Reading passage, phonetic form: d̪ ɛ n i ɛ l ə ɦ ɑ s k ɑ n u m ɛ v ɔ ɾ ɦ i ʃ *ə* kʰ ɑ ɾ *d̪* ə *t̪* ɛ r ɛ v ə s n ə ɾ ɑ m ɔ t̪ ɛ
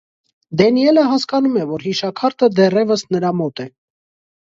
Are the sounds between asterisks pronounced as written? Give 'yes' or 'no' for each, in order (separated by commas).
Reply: no, no, no